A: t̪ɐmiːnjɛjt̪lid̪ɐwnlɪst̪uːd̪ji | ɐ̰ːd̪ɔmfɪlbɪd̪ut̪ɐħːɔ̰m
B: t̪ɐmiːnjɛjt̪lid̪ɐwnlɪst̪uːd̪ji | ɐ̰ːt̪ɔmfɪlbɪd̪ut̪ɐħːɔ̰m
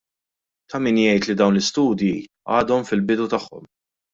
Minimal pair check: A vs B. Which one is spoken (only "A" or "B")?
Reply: A